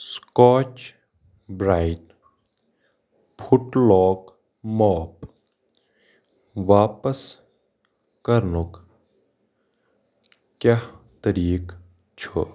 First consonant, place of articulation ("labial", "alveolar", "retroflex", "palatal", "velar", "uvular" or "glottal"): alveolar